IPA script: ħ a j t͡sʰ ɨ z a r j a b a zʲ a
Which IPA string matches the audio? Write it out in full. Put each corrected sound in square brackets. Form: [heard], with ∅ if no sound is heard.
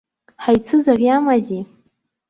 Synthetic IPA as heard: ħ a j t͡sʰ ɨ z a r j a [m] a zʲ [i]